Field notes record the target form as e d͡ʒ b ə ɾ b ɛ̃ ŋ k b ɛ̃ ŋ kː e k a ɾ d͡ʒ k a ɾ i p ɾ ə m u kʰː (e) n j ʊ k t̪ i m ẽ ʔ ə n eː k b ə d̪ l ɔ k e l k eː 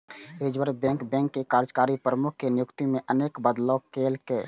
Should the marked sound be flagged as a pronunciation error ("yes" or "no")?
no